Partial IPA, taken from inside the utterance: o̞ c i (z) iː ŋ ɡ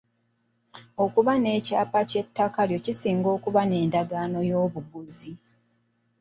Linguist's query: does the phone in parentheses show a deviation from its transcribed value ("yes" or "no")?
yes